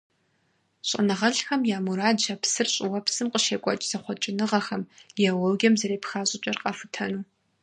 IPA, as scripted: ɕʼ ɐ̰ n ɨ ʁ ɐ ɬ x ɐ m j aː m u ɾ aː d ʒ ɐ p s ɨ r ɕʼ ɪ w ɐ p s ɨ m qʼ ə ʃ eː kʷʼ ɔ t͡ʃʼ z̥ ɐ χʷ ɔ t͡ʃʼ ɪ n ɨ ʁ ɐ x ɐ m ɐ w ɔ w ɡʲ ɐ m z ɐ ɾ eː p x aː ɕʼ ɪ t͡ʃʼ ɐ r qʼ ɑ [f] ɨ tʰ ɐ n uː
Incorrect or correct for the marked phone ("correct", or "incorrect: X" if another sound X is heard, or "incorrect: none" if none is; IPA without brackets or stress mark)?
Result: correct